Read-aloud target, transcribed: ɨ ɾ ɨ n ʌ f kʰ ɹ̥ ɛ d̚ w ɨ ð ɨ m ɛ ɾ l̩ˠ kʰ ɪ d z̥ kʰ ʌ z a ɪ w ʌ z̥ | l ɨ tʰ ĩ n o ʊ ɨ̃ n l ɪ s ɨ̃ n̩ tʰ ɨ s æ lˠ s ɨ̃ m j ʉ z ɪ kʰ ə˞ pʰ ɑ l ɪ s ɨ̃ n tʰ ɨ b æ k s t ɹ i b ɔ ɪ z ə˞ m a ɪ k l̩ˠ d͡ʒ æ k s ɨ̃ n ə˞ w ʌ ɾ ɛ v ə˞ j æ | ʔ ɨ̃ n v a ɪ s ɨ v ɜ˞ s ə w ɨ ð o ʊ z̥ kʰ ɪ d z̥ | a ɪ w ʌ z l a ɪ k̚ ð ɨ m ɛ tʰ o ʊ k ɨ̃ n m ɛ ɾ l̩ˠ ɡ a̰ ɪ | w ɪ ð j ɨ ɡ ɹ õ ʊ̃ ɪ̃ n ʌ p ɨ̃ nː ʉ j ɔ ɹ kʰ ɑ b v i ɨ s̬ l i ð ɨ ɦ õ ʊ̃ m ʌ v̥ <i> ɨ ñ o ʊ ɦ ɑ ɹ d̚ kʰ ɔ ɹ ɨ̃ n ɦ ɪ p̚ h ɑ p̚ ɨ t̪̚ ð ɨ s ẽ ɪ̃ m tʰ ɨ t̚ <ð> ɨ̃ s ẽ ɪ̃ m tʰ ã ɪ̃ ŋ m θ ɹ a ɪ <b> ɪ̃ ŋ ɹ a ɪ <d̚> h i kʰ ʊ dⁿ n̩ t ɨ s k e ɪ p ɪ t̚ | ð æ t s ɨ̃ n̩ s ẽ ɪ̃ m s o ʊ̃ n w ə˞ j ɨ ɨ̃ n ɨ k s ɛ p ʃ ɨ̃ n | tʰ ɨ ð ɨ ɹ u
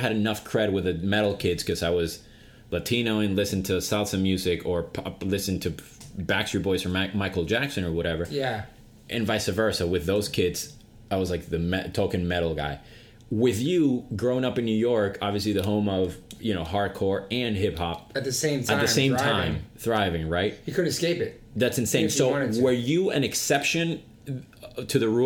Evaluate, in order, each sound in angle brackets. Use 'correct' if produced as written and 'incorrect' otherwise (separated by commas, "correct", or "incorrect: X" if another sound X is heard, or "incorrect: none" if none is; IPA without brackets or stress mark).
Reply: incorrect: j, correct, incorrect: v, incorrect: t̚